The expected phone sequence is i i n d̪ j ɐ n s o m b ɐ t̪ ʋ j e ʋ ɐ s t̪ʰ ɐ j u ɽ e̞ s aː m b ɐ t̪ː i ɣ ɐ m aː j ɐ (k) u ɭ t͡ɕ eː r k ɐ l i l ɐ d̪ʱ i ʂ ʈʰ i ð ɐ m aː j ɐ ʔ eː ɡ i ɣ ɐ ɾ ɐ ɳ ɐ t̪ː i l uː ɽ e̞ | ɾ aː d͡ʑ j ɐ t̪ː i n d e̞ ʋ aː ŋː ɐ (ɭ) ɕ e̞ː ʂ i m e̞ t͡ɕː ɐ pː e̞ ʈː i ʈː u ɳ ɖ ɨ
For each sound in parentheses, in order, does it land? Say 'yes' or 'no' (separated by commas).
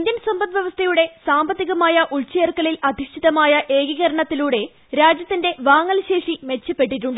no, no